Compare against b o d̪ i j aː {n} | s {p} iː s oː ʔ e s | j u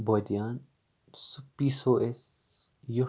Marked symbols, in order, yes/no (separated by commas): yes, yes